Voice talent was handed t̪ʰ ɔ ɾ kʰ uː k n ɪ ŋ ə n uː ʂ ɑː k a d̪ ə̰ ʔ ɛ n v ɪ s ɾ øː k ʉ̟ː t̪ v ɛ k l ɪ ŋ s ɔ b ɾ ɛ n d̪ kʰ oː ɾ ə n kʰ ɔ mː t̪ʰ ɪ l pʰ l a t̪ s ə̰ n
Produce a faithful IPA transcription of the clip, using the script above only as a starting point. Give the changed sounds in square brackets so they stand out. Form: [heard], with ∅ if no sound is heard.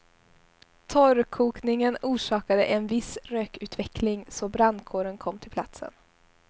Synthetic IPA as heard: t̪ʰ ɔ ɾ kʰ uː k n ɪ ŋ ə n uː ʂ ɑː k a d̪ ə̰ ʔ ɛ n v ɪ s ɾ øː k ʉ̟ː t̪ v ɛ k l ɪ ŋ s ɔ b ɾ [a] n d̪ kʰ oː ɾ ə n kʰ ɔ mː t̪ʰ ɪ l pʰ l a t̪ s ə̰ n

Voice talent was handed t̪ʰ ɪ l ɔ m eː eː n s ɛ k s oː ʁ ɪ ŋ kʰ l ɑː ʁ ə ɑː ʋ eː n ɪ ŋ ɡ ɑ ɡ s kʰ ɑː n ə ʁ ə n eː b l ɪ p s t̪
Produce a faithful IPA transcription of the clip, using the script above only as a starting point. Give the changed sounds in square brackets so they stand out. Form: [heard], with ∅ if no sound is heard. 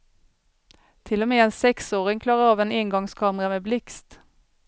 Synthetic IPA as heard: t̪ʰ ɪ l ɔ m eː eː n s ɛ k s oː ʁ ɪ ŋ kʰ l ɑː ʁ ə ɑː ʋ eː n ɪ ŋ ɡ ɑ [ŋ] s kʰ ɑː [m] ə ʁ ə [m] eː b l ɪ [k] s t̪

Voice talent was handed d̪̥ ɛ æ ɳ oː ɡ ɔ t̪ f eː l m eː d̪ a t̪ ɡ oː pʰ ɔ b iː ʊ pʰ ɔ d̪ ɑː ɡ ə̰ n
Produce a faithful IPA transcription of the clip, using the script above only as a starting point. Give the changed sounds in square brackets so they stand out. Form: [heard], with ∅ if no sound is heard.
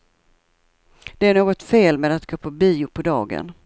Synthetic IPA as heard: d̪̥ ɛ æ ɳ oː ɡ ɔ t̪ f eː l m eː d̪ a t̪ ɡ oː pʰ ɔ b iː ʊ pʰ ɔ d̪ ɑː ɡ ə̰ n

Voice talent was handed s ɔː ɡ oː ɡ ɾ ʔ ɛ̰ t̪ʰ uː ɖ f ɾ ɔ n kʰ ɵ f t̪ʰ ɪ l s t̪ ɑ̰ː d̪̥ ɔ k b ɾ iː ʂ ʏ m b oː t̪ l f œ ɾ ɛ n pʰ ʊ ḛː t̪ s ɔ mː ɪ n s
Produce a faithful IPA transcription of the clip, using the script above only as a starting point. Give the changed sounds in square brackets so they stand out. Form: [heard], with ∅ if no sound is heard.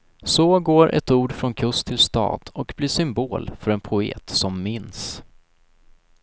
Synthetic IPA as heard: s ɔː ɡ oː [∅] ɾ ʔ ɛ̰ [t̪] uː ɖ f ɾ ɔ n kʰ ɵ [s] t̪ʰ ɪ l s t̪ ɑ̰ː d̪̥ ɔ k b [l] iː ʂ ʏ m b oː [∅] l f œ ɾ ɛ n pʰ ʊ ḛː t̪ s ɔ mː ɪ n s

